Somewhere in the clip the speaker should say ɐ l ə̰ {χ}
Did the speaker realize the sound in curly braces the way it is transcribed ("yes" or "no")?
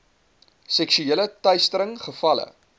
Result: no